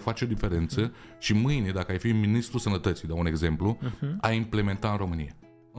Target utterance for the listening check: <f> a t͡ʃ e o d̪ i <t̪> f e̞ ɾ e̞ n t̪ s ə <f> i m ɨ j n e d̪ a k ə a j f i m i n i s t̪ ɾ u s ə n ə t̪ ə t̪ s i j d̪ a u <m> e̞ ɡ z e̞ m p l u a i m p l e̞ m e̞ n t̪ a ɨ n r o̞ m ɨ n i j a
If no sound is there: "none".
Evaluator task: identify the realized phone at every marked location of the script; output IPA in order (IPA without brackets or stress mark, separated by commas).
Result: f, none, ʃ, n